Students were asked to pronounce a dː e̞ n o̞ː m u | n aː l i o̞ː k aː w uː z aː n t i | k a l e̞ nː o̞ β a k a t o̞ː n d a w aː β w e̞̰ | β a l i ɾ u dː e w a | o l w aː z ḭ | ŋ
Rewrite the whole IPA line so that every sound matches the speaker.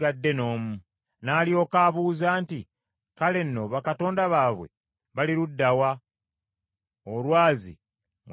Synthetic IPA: a dː e̞ n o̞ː m u | n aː l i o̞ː k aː β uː z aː n t i | k a l e̞ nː o̞ β a k a t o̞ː n d a β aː β w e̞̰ | β a l i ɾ u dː a w a | o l w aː z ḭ | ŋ